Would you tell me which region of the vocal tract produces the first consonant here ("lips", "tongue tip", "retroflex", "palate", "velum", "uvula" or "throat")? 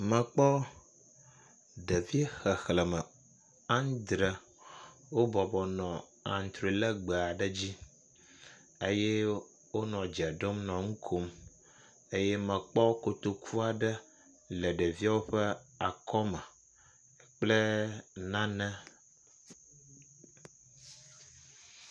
lips